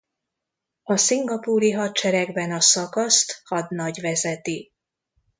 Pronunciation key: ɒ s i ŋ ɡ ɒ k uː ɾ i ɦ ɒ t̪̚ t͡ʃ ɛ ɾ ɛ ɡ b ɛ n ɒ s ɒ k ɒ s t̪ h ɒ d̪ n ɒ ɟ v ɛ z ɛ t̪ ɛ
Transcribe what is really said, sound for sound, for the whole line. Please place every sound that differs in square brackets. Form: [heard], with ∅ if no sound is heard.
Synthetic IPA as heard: ɒ s i ŋ ɡ ɒ [p] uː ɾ i ɦ ɒ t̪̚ t͡ʃ ɛ ɾ ɛ ɡ b ɛ n ɒ s ɒ k ɒ s t̪ h ɒ d̪ n ɒ ɟ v ɛ z ɛ t̪ [i]